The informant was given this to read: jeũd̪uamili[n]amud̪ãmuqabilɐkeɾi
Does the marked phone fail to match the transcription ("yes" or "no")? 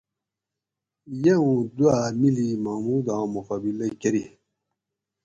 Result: yes